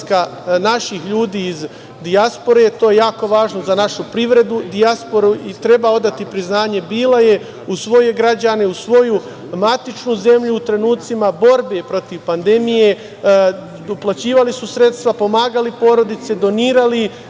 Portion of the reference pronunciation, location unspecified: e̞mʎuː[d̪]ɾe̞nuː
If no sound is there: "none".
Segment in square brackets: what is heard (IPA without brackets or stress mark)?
t̪